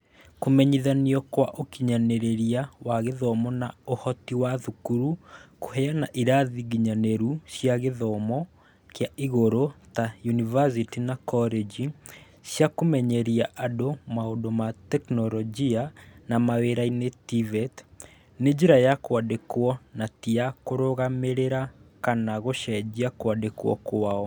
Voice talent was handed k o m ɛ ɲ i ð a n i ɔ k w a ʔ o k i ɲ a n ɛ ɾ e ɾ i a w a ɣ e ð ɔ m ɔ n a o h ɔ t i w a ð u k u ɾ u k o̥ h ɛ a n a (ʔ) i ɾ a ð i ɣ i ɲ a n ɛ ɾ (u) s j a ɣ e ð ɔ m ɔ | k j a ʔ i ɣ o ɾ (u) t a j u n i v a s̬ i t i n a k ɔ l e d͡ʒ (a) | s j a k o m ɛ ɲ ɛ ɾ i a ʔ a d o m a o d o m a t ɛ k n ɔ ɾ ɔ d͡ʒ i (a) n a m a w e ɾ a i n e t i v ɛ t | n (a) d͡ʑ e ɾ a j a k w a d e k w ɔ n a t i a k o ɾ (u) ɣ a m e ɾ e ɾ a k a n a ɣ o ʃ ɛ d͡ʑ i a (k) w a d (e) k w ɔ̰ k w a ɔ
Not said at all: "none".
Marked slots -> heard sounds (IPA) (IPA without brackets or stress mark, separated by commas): ʔ, u, o, i, a, e, o, k, e